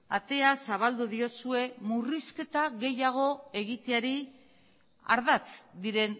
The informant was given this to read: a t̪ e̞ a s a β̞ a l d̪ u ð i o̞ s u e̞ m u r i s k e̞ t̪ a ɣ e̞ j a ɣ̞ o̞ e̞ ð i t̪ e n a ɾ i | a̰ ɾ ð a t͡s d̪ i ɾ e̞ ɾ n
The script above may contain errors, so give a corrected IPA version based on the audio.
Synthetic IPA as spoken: a t̪ e̞ a s a β̞ a l d̪ u ð i o̞ s u e̞ m u r i s k e̞ t̪ a ɣ e̞ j a ɣ̞ o̞ e̞ ɣ i t̪ e a ɾ i | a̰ ɾ ð a t͡s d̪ i ɾ e̞ n